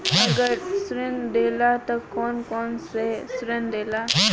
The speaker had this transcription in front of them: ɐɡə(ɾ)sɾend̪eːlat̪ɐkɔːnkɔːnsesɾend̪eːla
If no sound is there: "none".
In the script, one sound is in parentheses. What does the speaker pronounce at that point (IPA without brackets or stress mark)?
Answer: ɾ